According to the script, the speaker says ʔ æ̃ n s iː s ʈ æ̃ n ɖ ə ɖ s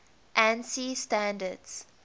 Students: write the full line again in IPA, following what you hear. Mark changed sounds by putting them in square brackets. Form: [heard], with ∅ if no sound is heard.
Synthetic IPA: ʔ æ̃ n s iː s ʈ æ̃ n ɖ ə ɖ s